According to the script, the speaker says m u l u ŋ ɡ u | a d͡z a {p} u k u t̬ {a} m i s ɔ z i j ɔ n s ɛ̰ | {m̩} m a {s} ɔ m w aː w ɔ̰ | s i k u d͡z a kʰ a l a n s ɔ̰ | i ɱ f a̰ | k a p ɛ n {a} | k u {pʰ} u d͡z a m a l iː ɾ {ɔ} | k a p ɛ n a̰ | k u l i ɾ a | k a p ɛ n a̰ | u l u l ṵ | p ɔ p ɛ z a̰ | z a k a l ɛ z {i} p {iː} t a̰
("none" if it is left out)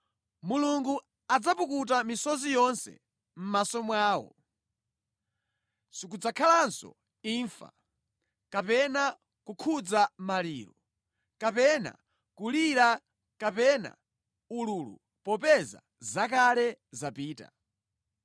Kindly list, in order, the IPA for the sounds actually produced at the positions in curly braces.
p, a, m̩, s, a, kʰ, ɔ, a, iː

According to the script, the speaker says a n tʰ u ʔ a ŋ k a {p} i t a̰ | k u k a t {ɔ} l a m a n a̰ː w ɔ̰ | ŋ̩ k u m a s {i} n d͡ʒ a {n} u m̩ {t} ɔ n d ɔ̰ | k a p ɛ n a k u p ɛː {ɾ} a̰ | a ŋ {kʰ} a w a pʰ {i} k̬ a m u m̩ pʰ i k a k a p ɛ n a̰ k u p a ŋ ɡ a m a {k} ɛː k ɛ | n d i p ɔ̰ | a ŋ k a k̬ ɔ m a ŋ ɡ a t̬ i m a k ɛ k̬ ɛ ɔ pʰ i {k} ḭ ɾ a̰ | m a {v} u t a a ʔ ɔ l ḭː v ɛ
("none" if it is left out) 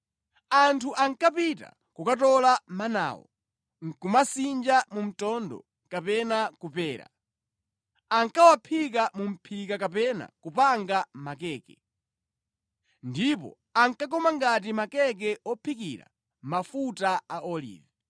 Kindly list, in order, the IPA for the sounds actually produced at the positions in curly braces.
p, ɔ, i, m, t, ɾ, k, i, k, k, f

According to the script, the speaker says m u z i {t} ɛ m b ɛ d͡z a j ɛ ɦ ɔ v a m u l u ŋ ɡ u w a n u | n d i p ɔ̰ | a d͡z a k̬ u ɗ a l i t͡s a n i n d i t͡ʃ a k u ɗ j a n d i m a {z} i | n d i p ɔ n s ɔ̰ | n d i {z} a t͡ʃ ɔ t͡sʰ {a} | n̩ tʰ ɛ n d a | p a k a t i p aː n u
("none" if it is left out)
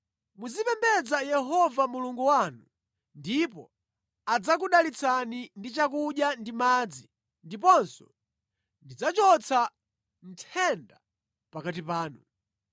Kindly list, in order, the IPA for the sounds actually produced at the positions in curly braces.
p, d͡z, d͡z, a

